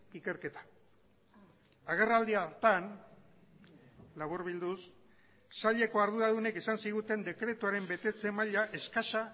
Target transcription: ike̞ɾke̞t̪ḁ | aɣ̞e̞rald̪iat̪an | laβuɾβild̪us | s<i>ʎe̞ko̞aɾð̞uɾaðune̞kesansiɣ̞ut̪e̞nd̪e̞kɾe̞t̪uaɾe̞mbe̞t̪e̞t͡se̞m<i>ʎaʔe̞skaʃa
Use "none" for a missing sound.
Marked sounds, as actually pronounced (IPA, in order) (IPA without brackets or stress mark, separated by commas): a, a